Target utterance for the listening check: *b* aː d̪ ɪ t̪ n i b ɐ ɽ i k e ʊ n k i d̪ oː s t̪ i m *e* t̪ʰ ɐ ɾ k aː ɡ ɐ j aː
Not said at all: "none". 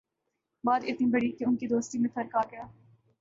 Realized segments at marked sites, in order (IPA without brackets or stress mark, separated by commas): b, ẽ